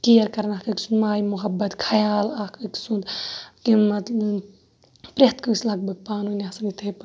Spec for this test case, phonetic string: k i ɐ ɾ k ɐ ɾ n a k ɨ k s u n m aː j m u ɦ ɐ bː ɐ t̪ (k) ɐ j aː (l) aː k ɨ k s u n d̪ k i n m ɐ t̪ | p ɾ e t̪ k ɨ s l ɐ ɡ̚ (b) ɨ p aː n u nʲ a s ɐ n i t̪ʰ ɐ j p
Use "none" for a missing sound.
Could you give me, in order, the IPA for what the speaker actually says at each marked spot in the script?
kʰ, l, b

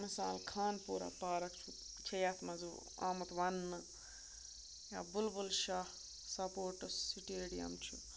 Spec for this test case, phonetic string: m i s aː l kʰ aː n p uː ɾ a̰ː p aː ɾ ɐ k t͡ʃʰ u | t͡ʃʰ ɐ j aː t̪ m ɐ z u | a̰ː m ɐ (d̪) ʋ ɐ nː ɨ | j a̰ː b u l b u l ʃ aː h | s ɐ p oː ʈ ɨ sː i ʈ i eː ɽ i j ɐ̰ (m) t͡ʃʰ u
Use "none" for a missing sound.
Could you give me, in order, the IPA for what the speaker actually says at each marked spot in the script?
t̪, m

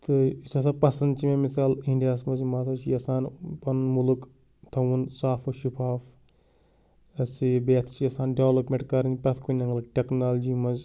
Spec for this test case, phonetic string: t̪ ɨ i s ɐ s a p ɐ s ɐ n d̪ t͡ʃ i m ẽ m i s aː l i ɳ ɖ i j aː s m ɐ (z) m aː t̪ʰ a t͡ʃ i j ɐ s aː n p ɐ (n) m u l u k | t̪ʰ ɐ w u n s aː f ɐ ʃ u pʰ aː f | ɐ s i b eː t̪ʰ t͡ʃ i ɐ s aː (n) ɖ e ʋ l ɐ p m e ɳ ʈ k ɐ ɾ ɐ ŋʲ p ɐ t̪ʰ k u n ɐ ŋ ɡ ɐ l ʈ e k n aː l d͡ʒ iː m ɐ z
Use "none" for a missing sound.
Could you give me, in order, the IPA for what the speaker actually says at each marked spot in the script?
z, n, n

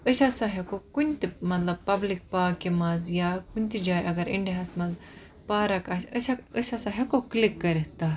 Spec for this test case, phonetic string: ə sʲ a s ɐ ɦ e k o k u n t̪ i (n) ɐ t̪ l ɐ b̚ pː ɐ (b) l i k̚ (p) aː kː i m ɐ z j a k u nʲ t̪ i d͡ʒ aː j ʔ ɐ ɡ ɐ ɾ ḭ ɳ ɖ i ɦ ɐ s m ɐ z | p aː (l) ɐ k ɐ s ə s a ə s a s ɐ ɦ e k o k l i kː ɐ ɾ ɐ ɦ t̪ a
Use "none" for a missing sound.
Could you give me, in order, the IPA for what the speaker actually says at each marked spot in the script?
m, b, p, ɾ

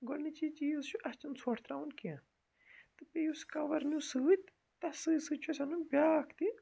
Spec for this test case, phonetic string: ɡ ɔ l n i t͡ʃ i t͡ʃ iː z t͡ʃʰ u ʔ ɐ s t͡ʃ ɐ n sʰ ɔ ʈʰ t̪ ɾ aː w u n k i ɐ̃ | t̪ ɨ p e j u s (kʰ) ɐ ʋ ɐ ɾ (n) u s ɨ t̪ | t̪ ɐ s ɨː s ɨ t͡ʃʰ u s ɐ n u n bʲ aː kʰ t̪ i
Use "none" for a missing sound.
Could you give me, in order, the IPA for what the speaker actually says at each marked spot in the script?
k, n

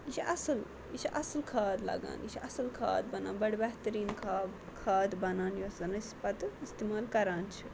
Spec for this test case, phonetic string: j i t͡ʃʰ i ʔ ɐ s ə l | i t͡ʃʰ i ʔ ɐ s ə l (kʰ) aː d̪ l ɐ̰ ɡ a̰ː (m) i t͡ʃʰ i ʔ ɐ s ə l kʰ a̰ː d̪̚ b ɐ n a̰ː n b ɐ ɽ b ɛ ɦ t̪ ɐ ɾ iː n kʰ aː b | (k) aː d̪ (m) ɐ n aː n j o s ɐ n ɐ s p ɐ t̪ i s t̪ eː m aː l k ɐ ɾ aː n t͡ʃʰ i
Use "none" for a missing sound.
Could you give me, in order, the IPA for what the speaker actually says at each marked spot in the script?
kʰ, n, kʰ, b

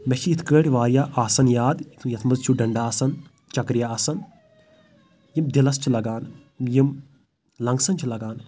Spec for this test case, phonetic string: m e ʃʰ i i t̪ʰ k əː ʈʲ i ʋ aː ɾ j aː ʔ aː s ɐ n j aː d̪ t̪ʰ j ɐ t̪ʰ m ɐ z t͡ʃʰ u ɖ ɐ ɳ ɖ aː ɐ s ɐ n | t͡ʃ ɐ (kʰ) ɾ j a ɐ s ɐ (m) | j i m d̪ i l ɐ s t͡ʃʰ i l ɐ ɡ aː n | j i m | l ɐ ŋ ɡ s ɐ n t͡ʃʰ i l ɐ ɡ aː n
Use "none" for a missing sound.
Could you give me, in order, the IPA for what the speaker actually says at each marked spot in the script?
k, n

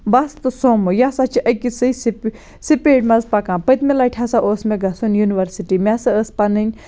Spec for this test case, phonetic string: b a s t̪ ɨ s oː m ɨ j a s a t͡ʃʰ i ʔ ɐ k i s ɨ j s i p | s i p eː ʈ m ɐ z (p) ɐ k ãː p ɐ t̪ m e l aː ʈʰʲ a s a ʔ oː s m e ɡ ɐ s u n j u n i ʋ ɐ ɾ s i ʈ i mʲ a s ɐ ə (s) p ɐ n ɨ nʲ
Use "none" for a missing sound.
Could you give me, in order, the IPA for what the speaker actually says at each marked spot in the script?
p, s

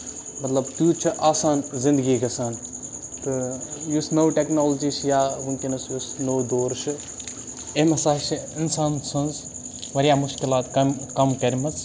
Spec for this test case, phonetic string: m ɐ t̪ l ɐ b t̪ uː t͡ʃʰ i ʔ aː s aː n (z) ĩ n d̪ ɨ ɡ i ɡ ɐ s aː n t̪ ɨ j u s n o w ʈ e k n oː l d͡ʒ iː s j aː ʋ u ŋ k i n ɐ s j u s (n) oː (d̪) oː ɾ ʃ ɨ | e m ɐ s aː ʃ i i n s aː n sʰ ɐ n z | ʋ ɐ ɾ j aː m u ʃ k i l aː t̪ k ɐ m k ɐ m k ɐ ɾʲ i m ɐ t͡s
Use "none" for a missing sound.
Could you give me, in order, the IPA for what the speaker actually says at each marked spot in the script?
z, n, d̪

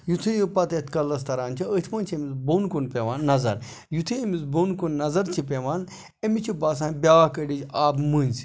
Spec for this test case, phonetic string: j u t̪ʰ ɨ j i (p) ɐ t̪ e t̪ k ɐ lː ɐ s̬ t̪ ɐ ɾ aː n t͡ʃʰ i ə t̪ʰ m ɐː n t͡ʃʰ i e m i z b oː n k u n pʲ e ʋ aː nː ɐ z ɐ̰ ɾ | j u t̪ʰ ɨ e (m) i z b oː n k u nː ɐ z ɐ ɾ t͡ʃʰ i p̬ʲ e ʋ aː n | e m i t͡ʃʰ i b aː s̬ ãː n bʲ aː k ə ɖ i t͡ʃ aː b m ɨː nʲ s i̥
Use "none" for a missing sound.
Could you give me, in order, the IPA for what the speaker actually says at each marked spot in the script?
p, m

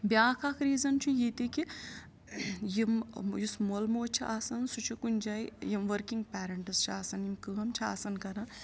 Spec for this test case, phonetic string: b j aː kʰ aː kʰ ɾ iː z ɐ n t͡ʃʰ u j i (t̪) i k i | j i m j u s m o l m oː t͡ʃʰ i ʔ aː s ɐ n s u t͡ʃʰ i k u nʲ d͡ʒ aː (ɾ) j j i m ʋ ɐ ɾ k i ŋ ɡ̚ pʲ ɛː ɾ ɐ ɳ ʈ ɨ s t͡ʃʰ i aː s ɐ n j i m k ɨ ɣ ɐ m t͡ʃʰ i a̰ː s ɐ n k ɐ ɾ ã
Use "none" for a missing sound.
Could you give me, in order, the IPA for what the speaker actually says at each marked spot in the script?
t̪, none

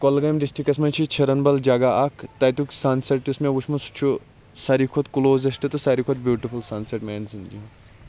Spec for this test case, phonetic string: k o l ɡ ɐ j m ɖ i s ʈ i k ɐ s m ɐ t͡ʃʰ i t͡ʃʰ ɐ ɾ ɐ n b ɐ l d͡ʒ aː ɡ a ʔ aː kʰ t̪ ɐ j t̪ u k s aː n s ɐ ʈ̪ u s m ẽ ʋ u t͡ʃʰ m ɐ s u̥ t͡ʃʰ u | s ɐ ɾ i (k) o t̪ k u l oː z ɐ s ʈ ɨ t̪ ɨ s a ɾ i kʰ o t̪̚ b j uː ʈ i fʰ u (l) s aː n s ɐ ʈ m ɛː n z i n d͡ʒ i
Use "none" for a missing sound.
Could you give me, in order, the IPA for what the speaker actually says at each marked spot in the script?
kʰ, l

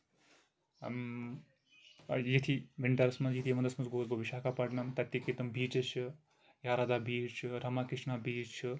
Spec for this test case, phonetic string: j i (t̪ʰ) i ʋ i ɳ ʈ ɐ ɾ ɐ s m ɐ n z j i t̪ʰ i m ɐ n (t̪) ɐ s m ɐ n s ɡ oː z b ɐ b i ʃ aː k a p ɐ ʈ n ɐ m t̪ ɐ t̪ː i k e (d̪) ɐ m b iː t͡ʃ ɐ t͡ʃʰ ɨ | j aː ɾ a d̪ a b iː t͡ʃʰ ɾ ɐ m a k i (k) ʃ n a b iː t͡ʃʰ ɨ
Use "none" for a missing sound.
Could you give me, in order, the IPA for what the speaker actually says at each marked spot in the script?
t̪ʰ, d̪, t̪, none

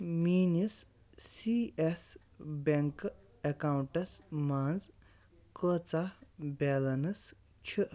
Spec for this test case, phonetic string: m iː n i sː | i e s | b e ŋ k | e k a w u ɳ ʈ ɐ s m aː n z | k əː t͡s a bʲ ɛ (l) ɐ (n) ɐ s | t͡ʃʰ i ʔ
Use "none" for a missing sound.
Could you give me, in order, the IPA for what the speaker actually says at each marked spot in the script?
l, n

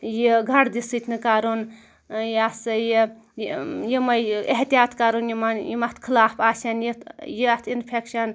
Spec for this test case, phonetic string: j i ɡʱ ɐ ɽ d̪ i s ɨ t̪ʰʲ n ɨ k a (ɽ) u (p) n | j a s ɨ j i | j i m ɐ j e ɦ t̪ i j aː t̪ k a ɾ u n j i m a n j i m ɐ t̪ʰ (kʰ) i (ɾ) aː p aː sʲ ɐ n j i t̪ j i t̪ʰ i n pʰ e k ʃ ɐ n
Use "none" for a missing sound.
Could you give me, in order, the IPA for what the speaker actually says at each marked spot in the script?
ɾ, none, kʰ, l

